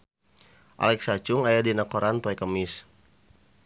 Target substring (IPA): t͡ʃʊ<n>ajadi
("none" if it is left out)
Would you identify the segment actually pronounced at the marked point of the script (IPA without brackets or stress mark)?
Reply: ŋ